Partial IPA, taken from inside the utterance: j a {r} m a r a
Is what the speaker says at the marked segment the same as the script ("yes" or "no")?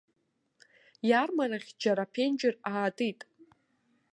yes